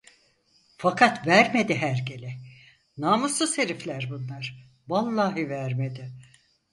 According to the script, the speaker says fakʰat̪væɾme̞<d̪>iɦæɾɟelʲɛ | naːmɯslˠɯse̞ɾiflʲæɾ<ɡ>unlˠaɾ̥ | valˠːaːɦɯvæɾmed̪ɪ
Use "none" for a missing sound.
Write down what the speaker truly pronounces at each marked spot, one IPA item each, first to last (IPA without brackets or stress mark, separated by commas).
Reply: d̪, b